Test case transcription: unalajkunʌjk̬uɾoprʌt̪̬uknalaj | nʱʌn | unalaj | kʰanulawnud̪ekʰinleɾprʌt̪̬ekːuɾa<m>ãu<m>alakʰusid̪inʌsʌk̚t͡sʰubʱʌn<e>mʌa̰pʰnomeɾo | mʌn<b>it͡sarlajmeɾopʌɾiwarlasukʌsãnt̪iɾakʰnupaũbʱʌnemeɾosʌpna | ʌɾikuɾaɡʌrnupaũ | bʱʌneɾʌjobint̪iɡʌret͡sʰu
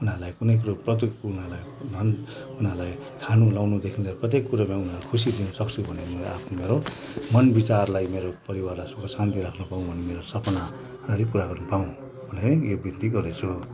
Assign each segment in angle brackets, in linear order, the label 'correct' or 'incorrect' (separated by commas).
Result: correct, incorrect, correct, correct